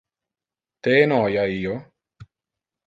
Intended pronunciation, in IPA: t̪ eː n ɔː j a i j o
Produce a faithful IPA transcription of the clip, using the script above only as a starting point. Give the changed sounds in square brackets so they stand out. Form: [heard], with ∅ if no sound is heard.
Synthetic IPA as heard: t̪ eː n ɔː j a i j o

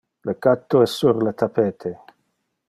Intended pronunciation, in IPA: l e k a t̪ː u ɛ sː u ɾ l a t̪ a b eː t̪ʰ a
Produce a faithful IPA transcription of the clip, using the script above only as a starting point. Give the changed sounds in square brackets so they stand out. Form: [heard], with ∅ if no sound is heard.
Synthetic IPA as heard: l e k a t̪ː [o] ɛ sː u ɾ l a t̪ a [p] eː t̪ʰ [e]

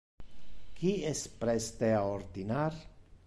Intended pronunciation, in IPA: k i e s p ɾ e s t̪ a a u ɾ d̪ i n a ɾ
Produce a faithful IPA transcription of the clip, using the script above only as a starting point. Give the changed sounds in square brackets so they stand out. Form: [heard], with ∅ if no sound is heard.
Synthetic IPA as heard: k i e s p ɾ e s t̪ [e] a [o] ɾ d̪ i n a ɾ

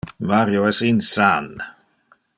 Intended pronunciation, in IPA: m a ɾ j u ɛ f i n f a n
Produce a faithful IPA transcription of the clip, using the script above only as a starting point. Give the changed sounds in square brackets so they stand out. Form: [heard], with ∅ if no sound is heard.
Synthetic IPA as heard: m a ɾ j [o] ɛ [s] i n [s] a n

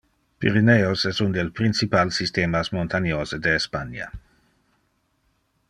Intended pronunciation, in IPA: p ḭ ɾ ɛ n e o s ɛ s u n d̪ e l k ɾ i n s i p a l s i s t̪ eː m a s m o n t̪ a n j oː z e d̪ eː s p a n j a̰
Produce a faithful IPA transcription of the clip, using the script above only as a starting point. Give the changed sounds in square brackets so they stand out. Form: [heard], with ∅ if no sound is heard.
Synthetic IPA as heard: p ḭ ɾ [i] n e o s ɛ s u n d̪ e l [p] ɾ i n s i p a l s i s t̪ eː m a s m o n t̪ a n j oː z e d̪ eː s p a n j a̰

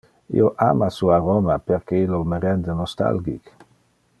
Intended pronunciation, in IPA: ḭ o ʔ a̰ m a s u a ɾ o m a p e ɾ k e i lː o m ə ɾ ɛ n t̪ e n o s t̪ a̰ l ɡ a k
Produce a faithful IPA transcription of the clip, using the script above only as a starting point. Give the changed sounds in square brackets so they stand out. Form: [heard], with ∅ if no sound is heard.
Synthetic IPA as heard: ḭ o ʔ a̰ m a s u a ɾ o m a p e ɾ k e i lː o m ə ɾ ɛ n [d̪] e n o s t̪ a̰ l ɡ [i] k

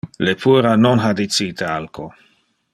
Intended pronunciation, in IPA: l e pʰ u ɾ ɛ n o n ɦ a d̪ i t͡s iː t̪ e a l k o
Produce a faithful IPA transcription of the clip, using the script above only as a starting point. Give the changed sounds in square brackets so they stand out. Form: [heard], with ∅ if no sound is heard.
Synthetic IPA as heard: l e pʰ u ɾ [a] n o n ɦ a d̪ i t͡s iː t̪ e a l k o

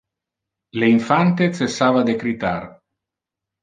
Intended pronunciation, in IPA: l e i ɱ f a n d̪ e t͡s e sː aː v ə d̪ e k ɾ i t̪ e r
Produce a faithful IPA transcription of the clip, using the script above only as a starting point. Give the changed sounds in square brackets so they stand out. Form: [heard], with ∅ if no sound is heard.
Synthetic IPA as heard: l e i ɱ f a n [t̪] e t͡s e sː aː v [a] d̪ e k ɾ i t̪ [a] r

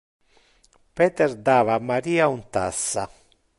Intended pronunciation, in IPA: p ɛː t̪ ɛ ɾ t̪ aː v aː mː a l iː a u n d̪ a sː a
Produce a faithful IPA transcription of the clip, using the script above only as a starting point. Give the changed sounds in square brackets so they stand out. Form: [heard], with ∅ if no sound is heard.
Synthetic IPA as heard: p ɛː t̪ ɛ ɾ [d̪] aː v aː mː a [ɾ] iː a u n [t̪] a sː a

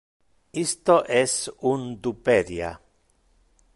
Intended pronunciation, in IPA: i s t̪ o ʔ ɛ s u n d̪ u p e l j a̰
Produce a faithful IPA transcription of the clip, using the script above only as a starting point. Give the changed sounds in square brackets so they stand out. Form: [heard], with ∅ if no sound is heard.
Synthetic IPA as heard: i s t̪ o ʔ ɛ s u n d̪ u p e [ɾ] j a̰

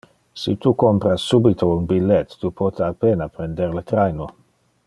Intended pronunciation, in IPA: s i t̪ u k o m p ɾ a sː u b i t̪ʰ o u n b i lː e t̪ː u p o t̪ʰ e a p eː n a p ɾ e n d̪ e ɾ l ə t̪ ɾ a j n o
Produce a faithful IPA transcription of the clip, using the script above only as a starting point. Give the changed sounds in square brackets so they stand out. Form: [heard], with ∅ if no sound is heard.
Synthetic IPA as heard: s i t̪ u k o m p ɾ a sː u b i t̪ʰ o u n b i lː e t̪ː u p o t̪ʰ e a p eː n a p ɾ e n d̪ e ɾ l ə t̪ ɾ a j n o

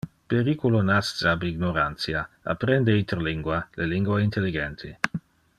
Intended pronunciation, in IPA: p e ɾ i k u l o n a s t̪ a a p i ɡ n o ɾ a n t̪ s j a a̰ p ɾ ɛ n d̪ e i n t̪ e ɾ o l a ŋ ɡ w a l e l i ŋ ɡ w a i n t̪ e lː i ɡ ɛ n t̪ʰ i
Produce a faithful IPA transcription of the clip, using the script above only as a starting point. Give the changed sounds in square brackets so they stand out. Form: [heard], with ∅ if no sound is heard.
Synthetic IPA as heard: p e ɾ i k u l o n a s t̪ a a [b] i ɡ n o ɾ a n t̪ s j a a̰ p ɾ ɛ n d̪ e i n t̪ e ɾ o l [i] ŋ ɡ w a l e l i ŋ ɡ w a i n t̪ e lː i ɡ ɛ n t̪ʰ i

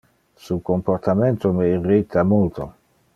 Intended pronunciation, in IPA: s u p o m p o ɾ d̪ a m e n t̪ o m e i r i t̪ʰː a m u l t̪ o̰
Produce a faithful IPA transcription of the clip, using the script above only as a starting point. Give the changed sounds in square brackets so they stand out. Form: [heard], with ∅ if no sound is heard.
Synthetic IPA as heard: s u [k] o m p o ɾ [t̪] a m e n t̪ o m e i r i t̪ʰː a m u l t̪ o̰

